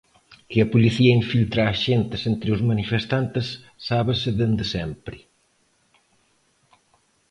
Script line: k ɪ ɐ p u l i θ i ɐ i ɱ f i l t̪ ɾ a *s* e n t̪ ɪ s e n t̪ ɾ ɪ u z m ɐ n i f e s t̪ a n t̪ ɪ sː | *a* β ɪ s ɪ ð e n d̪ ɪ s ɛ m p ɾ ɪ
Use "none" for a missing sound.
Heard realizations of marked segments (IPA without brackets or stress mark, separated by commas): ʃ, a